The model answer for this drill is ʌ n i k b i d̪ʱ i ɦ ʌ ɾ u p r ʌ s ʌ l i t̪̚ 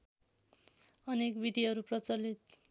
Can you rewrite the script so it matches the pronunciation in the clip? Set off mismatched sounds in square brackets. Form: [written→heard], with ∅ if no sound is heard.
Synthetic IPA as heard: ʌ n [i→e] k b i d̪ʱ i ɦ ʌ ɾ u p r ʌ [s→t͡s] ʌ l i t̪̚